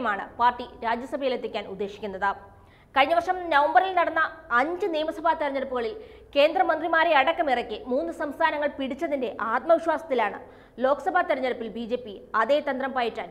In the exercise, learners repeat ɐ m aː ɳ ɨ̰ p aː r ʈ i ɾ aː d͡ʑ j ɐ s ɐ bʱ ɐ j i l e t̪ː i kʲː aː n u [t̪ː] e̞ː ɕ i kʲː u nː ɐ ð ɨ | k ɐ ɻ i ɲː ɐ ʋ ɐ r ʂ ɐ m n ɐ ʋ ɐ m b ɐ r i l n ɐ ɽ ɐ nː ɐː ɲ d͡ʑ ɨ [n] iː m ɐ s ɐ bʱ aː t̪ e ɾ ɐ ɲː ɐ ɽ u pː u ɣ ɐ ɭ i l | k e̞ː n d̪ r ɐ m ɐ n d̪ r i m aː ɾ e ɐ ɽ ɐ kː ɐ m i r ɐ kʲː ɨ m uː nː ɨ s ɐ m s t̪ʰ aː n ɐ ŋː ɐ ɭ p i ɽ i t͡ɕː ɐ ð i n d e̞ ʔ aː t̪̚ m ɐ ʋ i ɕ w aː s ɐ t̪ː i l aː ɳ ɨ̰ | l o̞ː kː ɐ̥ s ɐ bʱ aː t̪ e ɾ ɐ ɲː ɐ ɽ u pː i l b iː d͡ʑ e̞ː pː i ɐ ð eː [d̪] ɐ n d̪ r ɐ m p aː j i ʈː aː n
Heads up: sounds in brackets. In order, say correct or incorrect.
incorrect: d̪ː, correct, incorrect: t̪

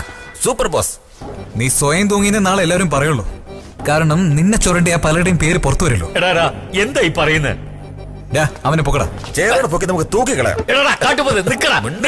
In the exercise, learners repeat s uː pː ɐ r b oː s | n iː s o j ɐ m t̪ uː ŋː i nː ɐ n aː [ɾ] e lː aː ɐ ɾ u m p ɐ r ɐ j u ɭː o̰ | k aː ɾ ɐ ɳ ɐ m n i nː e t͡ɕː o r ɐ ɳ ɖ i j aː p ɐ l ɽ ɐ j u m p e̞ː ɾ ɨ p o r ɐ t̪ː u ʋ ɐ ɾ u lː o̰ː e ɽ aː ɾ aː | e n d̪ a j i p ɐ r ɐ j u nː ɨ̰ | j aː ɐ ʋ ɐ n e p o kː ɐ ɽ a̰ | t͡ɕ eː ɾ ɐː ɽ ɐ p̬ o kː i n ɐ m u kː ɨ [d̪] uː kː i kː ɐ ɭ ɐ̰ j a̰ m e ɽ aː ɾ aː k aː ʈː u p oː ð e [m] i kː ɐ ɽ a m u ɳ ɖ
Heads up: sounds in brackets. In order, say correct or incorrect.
incorrect: ɭ, incorrect: t̪, incorrect: n

